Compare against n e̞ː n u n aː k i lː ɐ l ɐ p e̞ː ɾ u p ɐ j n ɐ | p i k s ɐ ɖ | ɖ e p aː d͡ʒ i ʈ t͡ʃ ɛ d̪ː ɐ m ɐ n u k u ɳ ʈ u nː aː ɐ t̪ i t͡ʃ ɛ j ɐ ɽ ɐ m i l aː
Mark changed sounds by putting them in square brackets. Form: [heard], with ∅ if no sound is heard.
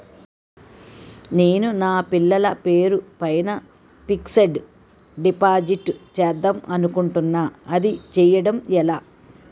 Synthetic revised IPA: n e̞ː n u n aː [p] i lː ɐ l ɐ p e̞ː ɾ u p ɐ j n ɐ | p i k s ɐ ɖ | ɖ [i] p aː d͡ʒ i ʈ t͡ʃ ɛ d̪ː ɐ m ɐ n u k u ɳ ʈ u nː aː ɐ [d̪] i t͡ʃ ɛ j ɐ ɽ ɐ m [ɛ] l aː